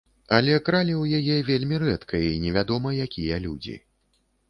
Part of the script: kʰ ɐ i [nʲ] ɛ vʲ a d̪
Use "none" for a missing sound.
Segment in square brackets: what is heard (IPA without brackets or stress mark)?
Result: nʲ